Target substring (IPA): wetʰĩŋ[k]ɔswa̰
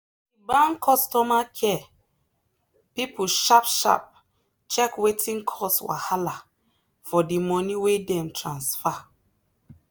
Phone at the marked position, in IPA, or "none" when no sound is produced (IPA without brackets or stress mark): kʰ